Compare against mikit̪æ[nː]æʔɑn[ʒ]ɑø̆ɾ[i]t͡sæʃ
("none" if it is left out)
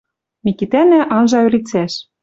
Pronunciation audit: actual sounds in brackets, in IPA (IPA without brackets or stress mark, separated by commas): n, ʒ, i